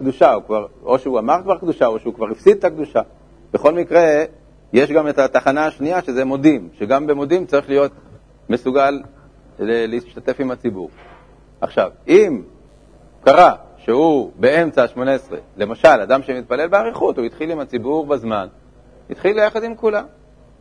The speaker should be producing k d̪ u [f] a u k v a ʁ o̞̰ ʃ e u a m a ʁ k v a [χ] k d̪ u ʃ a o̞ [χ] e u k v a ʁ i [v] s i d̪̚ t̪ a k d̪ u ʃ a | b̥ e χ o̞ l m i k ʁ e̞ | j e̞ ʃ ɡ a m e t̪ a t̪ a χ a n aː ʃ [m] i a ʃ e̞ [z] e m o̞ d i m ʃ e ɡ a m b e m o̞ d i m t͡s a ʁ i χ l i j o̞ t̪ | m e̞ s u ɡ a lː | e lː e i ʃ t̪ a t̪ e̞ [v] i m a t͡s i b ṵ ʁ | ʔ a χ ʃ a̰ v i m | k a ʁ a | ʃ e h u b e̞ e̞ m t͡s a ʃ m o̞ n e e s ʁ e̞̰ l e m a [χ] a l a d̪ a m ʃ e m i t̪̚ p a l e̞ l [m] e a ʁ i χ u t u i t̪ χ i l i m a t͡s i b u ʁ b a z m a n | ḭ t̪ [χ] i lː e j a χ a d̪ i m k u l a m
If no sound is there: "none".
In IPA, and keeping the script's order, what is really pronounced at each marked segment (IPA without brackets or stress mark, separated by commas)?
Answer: ʃ, ʁ, ʃ, f, n, z, f, ʃ, b, χ